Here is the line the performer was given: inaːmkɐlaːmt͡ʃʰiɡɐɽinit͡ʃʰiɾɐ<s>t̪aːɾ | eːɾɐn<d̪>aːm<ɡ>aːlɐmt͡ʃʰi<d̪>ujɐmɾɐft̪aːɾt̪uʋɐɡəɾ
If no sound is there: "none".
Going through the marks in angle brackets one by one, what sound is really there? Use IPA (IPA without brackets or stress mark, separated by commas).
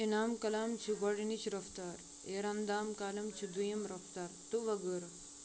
f, d̪, k, d̪